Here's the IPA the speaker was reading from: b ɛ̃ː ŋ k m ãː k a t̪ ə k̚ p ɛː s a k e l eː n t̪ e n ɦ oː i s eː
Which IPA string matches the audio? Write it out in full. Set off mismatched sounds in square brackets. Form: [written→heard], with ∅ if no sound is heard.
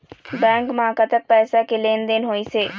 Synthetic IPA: b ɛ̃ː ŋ k m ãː k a t̪ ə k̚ p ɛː s a k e l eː n [t̪→d̪] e n ɦ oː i s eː